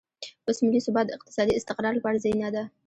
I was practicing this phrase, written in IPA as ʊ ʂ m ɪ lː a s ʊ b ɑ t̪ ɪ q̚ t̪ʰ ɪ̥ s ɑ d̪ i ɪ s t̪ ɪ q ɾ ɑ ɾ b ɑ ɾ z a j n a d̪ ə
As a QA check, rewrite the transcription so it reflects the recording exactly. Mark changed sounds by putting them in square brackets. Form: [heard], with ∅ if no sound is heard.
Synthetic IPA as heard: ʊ [s] m ɪ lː [i] s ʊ b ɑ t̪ ɪ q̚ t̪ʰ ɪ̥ s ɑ d̪ i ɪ s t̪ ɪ q ɾ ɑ ɾ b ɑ ɾ z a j n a d̪ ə